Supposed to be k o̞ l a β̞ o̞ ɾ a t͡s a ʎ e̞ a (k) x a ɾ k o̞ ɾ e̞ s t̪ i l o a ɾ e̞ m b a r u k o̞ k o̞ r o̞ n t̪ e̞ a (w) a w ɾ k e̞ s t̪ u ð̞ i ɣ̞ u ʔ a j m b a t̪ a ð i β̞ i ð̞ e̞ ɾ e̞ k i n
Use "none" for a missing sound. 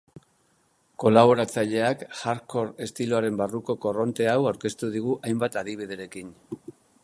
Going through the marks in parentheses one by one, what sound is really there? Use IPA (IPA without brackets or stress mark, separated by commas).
k, w